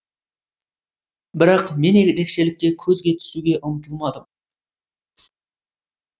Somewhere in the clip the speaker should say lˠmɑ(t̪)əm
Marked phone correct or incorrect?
incorrect